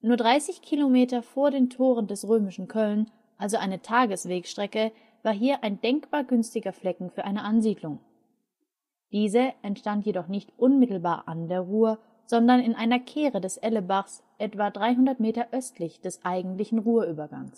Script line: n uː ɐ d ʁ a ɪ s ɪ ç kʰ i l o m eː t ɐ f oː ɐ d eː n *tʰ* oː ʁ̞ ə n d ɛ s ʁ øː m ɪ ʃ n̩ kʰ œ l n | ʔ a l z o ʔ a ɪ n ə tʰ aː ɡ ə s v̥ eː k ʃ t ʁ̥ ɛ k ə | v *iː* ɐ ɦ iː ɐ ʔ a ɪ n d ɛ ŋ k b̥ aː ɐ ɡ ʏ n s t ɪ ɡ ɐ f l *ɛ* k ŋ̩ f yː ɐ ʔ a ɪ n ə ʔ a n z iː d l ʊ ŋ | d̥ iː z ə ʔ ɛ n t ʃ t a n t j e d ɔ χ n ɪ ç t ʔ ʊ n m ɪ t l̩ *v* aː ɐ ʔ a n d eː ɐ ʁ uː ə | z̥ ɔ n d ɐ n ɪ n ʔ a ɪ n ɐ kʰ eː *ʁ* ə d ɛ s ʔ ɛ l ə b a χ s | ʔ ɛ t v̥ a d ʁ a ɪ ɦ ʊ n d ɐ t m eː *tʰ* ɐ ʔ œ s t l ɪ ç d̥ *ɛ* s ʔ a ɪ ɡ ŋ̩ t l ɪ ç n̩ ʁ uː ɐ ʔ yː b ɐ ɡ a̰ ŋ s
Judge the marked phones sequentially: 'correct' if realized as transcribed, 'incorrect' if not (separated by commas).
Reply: correct, incorrect, correct, incorrect, correct, incorrect, correct